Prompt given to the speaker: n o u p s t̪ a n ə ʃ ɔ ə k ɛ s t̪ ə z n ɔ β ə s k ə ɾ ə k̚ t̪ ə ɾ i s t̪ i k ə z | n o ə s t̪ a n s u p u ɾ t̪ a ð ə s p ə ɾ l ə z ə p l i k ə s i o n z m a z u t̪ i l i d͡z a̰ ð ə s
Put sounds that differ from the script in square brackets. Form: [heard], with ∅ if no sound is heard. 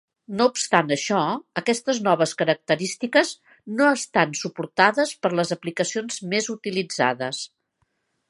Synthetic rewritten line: n o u p s t̪ a n ə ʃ ɔ ə k ɛ s t̪ ə z n ɔ β ə s k ə ɾ ə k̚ t̪ ə ɾ i s t̪ i k ə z | n o ə s t̪ a n s u p u ɾ t̪ a ð ə s p ə ɾ l ə z ə p l i k ə s i o n z m [e] z u t̪ i l i d͡z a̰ ð ə s